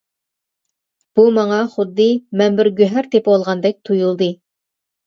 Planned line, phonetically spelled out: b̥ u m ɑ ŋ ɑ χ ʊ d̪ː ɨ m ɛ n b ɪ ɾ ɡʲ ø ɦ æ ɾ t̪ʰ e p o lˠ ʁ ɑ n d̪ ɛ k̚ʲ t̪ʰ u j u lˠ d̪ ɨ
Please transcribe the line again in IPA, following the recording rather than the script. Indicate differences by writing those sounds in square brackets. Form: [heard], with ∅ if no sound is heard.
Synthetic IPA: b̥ u m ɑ ŋ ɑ χ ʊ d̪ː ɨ m ɛ n b ɪ ɾ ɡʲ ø ɦ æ ɾ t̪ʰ e p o lˠ ʁ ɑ n d̪ ɛ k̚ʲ t̪ʰ u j u lˠ d̪ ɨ

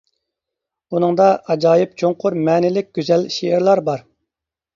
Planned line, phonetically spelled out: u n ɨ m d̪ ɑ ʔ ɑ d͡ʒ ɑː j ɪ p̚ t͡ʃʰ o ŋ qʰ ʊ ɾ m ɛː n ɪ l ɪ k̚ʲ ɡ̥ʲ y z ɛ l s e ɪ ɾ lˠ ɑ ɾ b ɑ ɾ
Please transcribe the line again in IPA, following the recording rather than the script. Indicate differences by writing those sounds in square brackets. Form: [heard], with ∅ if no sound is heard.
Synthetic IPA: u n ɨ [ŋ] d̪ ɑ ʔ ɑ d͡ʒ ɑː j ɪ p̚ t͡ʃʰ o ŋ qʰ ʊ ɾ m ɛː n ɪ l ɪ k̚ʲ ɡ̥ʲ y z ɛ l [ʃ] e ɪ ɾ lˠ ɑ ɾ b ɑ ɾ

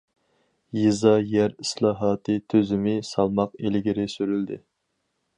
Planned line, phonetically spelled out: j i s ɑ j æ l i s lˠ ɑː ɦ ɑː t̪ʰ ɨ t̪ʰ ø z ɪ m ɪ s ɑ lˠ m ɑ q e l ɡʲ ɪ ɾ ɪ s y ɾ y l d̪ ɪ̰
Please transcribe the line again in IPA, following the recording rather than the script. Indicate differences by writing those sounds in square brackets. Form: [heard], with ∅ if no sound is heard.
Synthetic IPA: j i [z] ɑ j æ [ɾ] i s lˠ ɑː ɦ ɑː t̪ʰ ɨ t̪ʰ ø z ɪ m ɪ s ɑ lˠ m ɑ q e l ɡʲ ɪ ɾ ɪ s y ɾ y l d̪ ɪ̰

